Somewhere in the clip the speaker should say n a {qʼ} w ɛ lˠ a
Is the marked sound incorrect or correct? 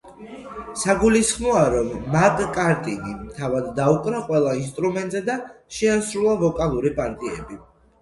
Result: correct